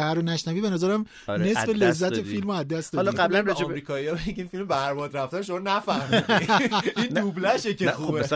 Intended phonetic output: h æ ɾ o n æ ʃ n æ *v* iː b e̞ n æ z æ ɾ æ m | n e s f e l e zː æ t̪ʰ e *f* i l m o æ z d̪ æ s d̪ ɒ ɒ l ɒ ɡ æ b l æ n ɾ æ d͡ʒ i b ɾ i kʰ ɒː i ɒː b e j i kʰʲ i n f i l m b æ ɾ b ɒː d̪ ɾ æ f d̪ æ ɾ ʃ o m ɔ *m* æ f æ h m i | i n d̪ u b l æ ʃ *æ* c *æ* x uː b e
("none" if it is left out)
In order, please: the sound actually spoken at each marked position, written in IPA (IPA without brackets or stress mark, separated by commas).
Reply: v, f, n, e, e